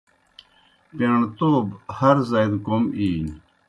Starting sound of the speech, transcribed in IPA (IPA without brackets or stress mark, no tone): p